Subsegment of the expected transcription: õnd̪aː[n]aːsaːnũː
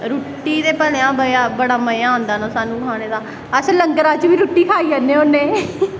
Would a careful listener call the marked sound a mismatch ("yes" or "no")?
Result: no